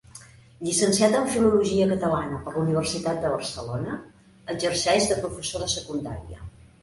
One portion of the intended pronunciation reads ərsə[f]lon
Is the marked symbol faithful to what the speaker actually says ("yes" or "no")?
no